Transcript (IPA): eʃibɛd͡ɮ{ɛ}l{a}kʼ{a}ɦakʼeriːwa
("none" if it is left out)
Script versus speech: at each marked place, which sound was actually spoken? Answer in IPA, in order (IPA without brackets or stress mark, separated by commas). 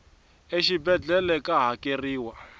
ɛ, ɛ, a